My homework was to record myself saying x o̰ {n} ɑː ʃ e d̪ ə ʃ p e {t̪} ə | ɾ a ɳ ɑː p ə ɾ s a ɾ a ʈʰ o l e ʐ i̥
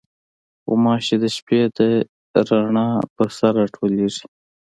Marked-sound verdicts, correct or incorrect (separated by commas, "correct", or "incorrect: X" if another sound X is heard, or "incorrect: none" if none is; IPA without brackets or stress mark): incorrect: m, incorrect: d̪